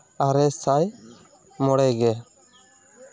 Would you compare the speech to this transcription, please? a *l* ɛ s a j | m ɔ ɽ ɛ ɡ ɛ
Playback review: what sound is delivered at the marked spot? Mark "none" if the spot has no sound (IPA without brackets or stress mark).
ɾ